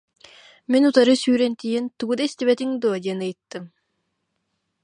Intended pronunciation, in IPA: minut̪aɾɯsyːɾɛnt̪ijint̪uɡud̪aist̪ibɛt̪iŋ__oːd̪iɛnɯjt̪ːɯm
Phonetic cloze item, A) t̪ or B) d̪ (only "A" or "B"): B